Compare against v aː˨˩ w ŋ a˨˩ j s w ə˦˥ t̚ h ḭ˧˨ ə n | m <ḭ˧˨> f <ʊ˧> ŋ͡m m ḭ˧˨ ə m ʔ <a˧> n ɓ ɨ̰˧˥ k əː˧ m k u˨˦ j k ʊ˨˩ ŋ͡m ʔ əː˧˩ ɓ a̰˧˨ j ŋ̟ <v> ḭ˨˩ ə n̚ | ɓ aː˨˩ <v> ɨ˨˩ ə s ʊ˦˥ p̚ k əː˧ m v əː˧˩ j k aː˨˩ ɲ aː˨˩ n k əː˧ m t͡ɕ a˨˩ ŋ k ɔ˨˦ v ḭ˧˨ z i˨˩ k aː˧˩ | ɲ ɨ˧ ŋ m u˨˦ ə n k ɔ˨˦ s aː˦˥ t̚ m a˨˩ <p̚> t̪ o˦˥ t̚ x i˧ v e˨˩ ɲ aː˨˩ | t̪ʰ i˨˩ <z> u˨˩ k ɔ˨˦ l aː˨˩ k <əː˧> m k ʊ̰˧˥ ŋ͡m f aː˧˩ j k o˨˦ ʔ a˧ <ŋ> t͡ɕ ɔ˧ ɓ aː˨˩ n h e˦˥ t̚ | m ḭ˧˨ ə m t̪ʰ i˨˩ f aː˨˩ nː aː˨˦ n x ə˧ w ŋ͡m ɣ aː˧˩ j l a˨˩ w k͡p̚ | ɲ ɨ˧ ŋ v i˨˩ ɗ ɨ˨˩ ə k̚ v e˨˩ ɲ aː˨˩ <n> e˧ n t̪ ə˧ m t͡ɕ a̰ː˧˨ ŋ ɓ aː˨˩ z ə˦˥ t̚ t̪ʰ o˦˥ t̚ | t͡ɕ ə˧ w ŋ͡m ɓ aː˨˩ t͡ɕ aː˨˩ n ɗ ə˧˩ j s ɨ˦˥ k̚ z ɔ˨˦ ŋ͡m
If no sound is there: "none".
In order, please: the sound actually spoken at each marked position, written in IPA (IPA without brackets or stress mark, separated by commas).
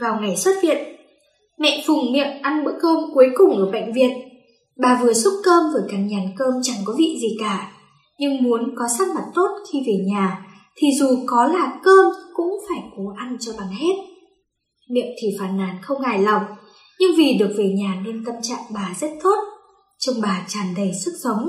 ɛ̰˧˨, ʊ˨˩, a˧, v, v, t̚, z, əː˧, n, n